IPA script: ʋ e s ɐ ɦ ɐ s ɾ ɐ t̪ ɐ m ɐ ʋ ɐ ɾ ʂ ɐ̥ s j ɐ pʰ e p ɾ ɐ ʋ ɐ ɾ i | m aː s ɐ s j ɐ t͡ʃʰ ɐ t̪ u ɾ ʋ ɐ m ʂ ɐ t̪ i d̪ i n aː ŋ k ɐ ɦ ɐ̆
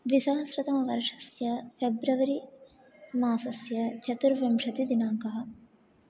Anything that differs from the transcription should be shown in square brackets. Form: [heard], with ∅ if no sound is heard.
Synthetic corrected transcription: ʋ [i] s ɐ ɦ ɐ s ɾ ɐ t̪ ɐ m ɐ ʋ ɐ ɾ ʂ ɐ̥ s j ɐ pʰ e [b] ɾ ɐ ʋ ɐ ɾ i | m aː s ɐ s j ɐ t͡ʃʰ ɐ t̪ u ɾ ʋ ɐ m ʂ ɐ t̪ i d̪ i n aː ŋ k ɐ ɦ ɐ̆